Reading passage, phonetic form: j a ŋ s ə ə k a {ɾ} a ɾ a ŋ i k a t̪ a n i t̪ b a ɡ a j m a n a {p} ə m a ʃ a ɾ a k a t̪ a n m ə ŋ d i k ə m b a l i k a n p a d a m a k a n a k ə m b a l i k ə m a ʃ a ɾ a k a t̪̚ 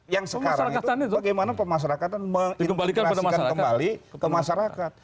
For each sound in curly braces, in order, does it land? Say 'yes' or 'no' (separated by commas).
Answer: yes, yes